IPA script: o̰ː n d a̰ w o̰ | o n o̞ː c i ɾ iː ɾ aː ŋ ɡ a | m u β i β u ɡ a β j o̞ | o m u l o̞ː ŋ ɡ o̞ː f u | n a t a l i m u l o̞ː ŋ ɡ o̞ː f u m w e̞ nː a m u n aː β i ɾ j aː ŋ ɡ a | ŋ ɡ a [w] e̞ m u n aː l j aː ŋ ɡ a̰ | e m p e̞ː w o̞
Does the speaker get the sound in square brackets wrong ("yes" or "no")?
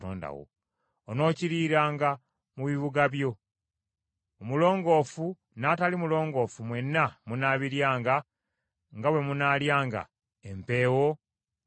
no